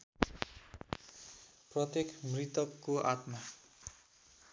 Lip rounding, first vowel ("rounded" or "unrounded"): unrounded